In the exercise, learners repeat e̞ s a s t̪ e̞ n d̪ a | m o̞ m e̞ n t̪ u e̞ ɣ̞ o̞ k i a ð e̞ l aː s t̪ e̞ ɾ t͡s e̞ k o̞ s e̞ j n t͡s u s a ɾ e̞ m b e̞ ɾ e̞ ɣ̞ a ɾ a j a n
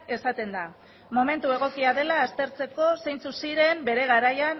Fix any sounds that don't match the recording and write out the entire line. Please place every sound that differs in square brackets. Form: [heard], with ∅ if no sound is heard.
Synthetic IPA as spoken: e̞ s a [∅] t̪ e̞ n d̪ a | m o̞ m e̞ n t̪ u e̞ ɣ̞ o̞ k i a ð e̞ l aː s t̪ e̞ ɾ t͡s e̞ k o̞ s e̞ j n t͡s u s [i] ɾ e̞ m b e̞ ɾ e̞ ɣ̞ a ɾ a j a n